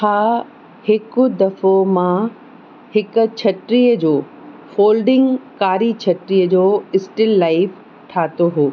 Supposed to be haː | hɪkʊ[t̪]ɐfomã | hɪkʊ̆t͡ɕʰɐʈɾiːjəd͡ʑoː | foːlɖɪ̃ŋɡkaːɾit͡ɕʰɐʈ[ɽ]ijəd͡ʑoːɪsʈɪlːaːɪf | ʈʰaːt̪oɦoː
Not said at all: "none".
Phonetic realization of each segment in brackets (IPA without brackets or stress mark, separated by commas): d̪, ɾ